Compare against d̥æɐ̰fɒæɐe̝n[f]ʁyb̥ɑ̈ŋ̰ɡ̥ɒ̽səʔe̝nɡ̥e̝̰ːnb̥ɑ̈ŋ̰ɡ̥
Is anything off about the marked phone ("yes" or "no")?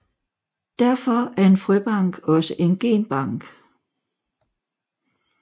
no